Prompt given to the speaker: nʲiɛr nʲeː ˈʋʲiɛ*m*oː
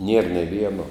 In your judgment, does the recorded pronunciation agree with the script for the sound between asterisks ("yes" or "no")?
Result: no